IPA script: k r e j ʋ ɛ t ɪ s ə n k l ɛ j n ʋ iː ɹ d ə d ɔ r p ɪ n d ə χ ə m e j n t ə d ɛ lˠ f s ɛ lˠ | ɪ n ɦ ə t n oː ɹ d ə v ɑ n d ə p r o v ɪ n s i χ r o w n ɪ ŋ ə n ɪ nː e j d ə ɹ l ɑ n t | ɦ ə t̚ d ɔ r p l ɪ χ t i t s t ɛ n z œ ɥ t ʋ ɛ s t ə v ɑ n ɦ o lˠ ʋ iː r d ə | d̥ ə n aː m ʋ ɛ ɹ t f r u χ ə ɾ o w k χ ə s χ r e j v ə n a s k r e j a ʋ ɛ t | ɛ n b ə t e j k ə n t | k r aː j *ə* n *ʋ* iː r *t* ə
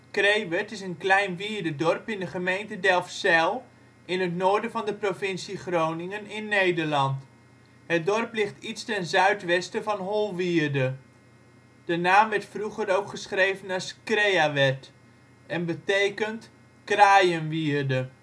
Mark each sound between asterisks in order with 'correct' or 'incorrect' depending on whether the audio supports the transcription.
correct, correct, incorrect: d

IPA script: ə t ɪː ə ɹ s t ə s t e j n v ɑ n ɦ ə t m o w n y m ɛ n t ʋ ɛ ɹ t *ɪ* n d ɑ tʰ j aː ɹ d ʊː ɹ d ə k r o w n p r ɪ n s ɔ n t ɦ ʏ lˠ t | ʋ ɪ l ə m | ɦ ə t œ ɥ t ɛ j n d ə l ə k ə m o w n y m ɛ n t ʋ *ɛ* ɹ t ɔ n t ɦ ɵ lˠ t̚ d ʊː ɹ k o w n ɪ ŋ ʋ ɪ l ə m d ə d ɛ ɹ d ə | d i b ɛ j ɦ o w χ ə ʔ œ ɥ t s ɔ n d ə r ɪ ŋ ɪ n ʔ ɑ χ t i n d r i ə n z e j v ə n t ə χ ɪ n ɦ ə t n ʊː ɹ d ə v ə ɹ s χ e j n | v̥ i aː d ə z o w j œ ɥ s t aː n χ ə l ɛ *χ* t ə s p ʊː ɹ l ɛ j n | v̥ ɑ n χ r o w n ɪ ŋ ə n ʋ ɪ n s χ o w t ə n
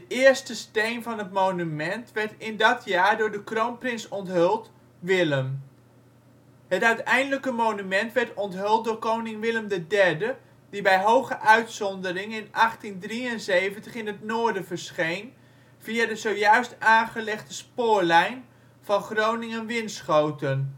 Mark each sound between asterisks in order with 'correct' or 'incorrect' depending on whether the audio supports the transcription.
correct, correct, correct

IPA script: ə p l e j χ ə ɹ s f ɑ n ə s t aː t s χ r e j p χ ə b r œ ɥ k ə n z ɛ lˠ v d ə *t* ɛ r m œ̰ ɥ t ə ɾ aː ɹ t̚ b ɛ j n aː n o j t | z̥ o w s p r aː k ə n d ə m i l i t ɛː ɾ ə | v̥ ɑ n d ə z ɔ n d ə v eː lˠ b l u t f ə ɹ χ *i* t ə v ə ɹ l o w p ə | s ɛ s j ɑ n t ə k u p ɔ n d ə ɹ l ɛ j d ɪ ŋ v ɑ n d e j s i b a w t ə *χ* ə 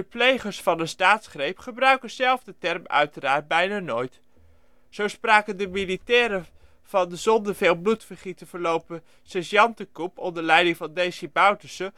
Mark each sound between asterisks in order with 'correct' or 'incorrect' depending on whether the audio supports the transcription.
correct, correct, incorrect: s

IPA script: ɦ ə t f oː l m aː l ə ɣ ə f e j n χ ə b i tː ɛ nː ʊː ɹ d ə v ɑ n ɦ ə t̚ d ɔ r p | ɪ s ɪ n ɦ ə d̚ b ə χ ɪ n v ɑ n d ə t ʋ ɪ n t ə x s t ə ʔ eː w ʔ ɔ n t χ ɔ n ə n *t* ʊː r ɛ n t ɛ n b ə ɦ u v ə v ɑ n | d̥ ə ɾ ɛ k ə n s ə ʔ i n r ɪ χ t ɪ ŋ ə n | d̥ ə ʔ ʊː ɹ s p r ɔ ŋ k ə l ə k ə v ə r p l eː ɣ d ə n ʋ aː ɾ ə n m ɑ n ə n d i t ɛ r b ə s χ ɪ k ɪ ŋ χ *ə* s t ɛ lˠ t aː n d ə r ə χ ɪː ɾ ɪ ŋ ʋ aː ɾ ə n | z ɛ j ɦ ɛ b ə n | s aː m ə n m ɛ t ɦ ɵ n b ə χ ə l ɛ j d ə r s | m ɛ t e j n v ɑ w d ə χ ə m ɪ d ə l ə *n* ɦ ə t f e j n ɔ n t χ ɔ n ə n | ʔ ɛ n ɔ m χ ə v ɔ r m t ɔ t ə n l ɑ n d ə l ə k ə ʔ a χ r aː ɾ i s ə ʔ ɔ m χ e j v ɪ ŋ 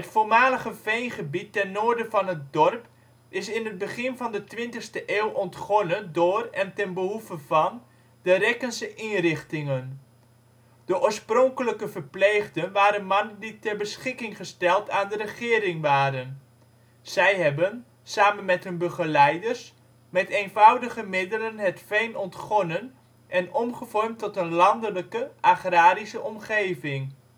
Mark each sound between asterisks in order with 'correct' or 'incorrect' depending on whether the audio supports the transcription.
incorrect: d, correct, correct

